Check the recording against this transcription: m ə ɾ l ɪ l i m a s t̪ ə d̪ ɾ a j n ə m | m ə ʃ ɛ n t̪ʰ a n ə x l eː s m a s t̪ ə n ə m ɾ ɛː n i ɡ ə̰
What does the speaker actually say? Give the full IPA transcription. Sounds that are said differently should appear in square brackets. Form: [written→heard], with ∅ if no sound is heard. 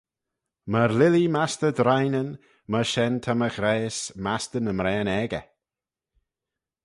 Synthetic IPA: m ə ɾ l ɪ l i m a s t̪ ə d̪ ɾ a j n ə [m→n] | m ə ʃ ɛ n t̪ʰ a [n→m] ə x [l→ɾ] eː s m a s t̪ ə n ə m ɾ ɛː n [i→ɛ] ɡ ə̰